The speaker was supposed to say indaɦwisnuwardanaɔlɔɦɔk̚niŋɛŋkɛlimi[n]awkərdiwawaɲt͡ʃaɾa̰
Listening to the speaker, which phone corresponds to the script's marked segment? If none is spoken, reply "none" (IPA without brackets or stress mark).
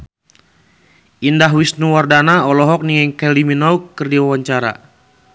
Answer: n